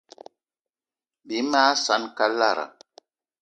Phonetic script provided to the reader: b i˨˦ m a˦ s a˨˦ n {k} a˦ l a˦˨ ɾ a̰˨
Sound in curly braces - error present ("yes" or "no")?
no